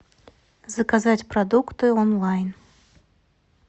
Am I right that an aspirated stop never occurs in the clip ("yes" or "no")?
yes